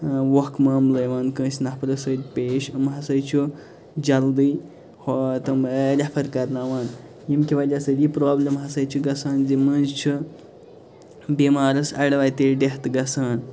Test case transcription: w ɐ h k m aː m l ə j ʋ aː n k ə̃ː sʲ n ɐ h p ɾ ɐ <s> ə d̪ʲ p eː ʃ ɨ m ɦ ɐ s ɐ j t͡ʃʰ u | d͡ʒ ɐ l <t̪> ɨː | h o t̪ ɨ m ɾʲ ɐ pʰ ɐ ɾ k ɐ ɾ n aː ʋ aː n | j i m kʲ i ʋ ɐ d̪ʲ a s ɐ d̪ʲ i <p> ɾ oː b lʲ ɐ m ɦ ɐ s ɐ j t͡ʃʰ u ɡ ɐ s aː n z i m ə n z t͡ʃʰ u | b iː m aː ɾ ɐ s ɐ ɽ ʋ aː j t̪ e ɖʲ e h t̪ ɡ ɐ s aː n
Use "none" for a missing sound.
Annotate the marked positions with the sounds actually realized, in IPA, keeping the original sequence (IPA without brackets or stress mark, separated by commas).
s, d̪, p